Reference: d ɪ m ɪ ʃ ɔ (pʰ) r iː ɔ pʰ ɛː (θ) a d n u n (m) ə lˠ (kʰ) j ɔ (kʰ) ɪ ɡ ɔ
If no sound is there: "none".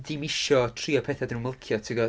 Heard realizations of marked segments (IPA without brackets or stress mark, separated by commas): tʰ, θ, m, kʰ, tʰ